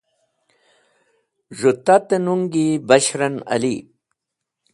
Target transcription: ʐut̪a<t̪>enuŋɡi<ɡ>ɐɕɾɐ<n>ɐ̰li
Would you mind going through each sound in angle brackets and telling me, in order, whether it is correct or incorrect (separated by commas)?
correct, incorrect, correct